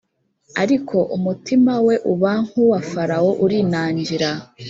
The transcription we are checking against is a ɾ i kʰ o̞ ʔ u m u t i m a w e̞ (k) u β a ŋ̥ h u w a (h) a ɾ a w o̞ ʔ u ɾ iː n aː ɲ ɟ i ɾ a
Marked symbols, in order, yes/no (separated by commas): no, no